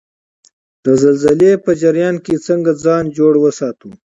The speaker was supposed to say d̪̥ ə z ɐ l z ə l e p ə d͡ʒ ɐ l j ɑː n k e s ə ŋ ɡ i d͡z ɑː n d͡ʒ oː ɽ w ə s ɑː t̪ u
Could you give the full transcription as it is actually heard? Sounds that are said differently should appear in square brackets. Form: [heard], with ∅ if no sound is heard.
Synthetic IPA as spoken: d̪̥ ə z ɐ l z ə l e p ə d͡ʒ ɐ [ɾ] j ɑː n k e [t͡s] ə ŋ ɡ [a] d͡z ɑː n d͡ʒ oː ɽ w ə s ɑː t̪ u